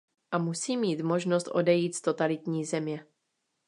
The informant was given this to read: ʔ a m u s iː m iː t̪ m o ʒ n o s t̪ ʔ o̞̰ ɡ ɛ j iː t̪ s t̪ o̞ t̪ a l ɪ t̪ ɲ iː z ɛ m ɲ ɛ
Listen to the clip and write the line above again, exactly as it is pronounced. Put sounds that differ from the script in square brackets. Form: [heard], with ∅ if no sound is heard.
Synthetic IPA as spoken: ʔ a m u s iː m iː t̪ m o ʒ n o s t̪ ʔ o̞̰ [d] ɛ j iː t̪ s t̪ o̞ t̪ a l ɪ t̪ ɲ iː z ɛ m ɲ ɛ